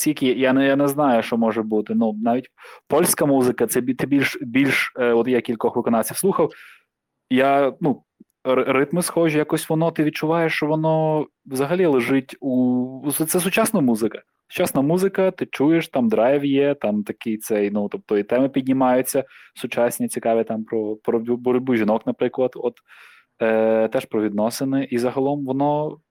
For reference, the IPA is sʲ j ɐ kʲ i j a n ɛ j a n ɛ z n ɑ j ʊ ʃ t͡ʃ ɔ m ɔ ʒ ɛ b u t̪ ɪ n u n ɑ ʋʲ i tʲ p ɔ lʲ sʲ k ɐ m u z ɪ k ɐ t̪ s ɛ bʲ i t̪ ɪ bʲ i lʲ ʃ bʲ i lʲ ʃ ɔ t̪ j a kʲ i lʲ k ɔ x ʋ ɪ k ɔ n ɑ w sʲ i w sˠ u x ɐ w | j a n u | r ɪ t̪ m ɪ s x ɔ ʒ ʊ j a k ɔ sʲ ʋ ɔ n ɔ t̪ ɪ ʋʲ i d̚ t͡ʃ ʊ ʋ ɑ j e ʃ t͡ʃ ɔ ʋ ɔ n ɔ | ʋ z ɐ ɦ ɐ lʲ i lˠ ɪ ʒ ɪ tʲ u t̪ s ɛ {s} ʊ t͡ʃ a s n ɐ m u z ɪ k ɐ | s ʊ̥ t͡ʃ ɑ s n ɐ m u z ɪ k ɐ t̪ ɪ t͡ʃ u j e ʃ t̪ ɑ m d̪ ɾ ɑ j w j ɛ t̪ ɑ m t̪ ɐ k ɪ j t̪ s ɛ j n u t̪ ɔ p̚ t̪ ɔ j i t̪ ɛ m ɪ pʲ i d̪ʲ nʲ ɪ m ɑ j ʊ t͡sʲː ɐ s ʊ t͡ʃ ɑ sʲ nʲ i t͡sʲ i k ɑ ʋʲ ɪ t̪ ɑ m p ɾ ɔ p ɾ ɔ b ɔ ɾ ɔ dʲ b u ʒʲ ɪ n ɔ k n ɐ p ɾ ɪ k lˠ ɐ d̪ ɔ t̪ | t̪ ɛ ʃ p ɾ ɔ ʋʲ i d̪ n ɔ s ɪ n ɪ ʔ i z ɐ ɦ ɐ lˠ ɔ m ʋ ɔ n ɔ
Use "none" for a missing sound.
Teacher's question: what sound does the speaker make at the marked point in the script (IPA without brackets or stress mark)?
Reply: s